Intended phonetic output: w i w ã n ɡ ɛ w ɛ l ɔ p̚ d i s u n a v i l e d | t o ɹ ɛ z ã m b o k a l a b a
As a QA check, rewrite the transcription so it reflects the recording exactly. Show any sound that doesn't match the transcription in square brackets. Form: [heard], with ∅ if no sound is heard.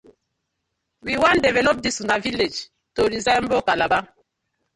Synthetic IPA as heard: w i w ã n [d] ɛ [v] ɛ l ɔ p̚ d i s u n a v i l e [d͡ʒ] | t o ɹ [i] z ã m b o k a l a b a